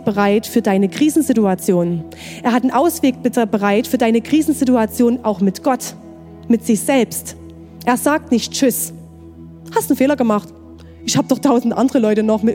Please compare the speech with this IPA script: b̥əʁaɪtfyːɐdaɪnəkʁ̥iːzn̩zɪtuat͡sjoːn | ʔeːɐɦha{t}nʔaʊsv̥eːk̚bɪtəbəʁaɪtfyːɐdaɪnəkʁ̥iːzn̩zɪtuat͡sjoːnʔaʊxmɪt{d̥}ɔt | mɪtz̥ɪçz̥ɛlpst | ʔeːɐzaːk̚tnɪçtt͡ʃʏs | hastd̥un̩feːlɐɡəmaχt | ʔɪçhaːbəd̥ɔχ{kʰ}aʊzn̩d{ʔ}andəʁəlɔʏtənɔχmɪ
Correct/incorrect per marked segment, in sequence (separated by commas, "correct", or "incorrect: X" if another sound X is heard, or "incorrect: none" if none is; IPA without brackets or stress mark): correct, incorrect: ɡ̥, incorrect: tʰ, correct